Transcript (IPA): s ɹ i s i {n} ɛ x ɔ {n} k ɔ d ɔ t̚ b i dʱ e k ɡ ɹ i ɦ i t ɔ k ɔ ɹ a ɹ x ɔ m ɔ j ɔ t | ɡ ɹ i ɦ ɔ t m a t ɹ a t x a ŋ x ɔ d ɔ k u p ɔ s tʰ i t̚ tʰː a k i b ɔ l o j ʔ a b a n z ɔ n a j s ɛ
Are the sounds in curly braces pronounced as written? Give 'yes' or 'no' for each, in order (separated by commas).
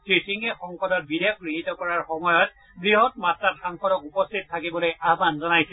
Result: no, no